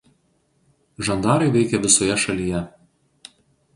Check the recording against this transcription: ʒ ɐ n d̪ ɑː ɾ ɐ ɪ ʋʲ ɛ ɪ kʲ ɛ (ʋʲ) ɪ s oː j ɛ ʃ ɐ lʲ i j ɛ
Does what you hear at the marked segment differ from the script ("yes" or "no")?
no